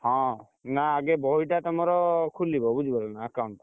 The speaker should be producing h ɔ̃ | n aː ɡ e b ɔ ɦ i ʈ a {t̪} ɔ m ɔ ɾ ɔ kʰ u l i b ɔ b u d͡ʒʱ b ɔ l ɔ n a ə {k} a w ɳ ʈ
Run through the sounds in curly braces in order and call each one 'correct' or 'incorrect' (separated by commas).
correct, correct